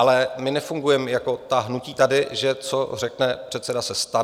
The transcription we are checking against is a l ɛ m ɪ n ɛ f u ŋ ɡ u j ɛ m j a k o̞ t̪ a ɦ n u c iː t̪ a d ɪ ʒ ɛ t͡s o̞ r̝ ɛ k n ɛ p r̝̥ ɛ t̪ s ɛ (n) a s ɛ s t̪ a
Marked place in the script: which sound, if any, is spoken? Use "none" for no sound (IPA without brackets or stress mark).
d